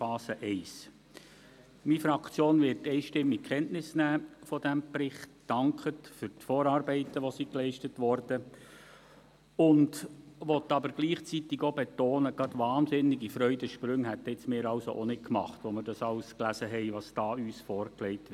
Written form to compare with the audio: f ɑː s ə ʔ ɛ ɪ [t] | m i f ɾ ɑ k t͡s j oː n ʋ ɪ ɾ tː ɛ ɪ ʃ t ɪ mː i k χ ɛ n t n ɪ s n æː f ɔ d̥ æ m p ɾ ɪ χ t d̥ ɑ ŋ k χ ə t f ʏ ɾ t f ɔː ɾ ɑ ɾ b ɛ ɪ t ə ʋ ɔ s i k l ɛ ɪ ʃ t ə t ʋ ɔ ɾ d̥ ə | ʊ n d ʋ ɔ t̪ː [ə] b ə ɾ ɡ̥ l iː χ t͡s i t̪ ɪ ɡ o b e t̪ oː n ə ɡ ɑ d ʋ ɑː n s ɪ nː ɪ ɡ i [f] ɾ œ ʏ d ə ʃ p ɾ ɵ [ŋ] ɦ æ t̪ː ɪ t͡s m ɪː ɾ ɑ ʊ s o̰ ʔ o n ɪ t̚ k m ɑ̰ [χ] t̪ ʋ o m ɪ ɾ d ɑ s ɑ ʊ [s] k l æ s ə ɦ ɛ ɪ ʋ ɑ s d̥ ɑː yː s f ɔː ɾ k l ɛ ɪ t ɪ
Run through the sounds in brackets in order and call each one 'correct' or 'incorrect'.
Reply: incorrect: s, incorrect: ɑ, correct, correct, correct, correct

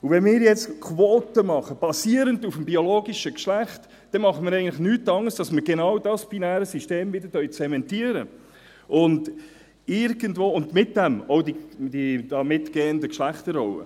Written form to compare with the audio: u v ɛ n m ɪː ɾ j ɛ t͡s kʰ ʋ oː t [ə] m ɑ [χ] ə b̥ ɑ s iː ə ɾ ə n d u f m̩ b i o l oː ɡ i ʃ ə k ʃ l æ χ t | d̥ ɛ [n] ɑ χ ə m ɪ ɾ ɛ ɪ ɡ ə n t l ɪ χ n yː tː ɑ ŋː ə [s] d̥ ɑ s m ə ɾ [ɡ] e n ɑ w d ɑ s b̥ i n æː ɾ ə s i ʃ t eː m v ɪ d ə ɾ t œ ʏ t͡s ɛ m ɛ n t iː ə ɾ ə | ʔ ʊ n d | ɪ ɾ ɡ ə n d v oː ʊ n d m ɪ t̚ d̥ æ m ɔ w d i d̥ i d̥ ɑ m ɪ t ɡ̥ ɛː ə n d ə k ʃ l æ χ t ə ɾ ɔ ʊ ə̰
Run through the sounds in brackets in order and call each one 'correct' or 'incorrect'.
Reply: correct, correct, incorrect: m, correct, correct

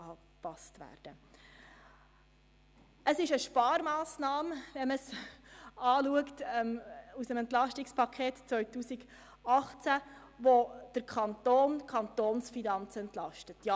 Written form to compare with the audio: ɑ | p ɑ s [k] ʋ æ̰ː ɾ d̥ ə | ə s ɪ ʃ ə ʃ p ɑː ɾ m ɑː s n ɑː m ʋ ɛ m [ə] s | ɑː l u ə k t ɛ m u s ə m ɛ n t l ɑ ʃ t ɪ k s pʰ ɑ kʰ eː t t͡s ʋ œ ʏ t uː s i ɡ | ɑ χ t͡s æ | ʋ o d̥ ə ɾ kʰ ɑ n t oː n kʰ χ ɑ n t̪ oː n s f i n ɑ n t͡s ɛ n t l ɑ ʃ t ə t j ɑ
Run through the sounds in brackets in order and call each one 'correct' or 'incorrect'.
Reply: incorrect: t, correct

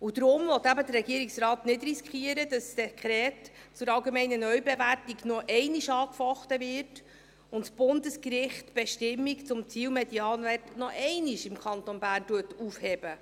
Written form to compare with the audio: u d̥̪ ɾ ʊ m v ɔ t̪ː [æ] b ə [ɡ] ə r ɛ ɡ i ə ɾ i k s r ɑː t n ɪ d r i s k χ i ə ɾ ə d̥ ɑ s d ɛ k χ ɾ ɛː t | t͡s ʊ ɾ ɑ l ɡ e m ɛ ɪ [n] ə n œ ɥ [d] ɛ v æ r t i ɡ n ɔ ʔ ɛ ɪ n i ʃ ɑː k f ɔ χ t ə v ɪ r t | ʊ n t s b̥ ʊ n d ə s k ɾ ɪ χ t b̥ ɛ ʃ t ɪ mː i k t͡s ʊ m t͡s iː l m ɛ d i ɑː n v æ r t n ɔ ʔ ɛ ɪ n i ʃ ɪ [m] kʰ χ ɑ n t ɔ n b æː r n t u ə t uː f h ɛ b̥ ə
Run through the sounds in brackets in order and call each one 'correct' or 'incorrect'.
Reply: correct, incorrect: d, correct, incorrect: b, correct

